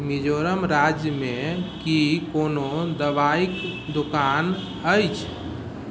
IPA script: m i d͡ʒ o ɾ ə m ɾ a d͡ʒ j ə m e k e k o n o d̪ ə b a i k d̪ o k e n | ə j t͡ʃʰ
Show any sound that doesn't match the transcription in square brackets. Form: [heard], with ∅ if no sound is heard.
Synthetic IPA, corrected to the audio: m i d͡ʒ o ɾ ə m ɾ a d͡ʒ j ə m e k [i] k o n o d̪ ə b a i k d̪ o k [a] n | ə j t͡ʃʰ